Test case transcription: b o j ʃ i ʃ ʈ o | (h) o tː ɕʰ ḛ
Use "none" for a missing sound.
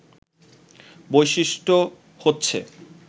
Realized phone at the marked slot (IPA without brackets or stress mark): h